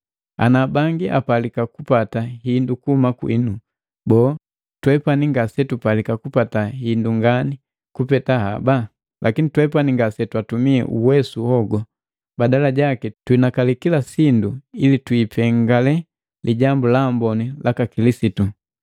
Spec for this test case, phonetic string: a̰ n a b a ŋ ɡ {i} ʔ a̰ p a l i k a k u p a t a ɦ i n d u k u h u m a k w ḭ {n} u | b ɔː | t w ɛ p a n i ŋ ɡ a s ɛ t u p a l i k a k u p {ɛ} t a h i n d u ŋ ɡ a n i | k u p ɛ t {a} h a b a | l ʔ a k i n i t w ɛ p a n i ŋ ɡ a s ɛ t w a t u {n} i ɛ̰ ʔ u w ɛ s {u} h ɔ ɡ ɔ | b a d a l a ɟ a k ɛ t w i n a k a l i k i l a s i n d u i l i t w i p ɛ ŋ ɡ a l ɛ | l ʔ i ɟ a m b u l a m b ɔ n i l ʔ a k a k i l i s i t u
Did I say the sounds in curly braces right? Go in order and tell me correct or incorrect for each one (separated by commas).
correct, correct, incorrect, correct, incorrect, correct